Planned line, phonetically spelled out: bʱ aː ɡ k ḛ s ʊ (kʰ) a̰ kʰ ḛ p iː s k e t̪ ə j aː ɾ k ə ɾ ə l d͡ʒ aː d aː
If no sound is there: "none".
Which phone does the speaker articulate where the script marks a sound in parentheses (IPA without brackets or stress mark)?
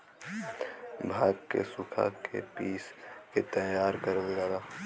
kʰ